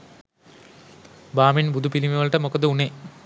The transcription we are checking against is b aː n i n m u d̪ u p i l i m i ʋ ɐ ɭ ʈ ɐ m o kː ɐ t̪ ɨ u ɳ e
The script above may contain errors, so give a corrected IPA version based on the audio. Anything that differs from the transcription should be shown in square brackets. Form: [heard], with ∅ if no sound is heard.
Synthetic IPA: b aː [m] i n [b] u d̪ u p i l i m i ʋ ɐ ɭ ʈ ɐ m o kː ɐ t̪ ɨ u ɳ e